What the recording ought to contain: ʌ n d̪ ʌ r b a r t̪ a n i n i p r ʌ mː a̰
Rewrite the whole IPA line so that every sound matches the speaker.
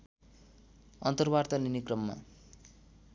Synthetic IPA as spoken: ʌ n t̪ ʌ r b a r t̪ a n i n i k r ʌ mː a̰